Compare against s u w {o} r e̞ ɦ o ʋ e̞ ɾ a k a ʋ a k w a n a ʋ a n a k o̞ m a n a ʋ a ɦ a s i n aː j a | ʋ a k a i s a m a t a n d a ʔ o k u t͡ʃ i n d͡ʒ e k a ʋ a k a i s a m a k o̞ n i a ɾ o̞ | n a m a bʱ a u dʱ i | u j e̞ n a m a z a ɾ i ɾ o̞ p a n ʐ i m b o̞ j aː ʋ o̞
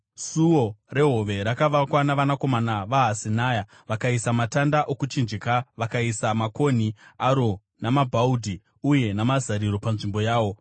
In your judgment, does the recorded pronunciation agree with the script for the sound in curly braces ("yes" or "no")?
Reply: yes